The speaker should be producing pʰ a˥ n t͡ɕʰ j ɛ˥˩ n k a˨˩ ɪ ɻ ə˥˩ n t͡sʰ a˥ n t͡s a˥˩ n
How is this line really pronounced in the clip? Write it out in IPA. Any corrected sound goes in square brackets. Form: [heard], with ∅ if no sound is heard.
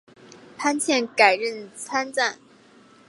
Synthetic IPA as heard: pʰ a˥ n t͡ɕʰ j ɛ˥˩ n k a˨˩ ɪ ɻ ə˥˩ n t͡sʰ a˥ n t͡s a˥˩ n